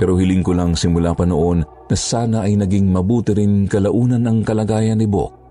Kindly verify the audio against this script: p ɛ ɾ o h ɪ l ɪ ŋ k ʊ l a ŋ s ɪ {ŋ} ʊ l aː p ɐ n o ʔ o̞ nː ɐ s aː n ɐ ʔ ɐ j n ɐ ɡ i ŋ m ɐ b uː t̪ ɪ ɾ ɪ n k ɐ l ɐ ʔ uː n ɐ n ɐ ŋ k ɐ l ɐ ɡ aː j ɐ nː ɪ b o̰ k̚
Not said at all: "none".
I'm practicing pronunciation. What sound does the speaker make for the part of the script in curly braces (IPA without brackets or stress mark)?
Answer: m